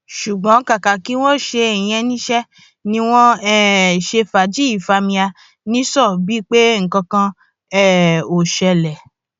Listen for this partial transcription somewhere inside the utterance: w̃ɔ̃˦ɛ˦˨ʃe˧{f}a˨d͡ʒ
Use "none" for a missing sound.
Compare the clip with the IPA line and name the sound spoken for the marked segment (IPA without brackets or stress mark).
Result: f